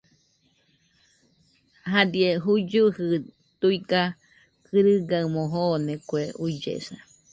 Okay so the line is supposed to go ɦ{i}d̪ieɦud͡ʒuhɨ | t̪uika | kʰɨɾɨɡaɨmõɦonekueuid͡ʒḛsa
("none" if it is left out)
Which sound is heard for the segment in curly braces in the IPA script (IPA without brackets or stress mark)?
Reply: a